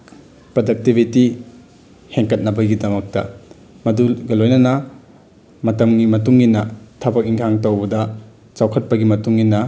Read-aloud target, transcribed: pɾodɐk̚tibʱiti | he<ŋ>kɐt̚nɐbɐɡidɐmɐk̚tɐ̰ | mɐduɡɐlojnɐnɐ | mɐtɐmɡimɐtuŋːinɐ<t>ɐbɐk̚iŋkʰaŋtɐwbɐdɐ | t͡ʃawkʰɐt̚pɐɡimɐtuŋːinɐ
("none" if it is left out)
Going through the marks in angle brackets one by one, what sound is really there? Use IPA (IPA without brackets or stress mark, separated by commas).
ŋ, tʰ